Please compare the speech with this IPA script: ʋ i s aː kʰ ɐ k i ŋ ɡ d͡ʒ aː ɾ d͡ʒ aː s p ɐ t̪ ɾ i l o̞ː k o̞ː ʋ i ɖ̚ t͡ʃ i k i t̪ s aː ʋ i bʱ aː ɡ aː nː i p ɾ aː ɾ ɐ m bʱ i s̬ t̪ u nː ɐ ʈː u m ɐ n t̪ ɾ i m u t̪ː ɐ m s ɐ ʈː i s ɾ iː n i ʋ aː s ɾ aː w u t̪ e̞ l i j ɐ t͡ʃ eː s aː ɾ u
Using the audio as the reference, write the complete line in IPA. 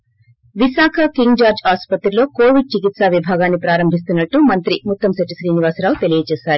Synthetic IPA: ʋ i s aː kʰ ɐ k i ŋ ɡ d͡ʒ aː ɾ d͡ʒ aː s p ɐ t̪ ɾ i l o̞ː k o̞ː ʋ i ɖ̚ t͡ʃ i k i t̪ s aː ʋ i bʱ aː ɡ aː nː i p ɾ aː ɾ ɐ m bʱ i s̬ t̪ u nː ɐ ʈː u m ɐ n t̪ ɾ i m u t̪ː ɐ m s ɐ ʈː i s ɾ iː n i ʋ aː s ɾ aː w u t̪ e̞ l i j ɐ t͡ʃ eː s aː ɾ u